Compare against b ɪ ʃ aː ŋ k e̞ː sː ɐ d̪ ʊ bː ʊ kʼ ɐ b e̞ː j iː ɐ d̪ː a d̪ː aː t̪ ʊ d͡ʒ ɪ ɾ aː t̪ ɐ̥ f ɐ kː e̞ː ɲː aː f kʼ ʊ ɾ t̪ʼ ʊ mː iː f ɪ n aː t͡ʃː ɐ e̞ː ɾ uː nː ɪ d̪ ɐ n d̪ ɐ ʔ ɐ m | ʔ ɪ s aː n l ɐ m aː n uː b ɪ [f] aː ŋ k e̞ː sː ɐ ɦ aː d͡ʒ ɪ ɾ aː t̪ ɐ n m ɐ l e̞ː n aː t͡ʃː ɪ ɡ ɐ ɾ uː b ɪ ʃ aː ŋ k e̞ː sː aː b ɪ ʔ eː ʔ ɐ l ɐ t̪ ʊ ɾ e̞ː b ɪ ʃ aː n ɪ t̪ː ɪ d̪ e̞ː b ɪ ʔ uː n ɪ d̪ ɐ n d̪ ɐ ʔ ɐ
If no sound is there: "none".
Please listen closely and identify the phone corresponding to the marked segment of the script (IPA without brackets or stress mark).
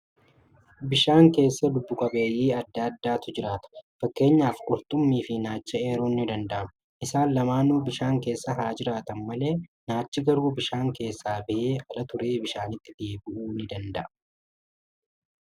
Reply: ʃ